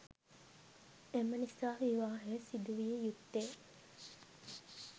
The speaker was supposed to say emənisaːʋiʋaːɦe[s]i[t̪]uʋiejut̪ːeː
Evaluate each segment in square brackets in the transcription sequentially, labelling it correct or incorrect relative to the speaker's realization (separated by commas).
correct, incorrect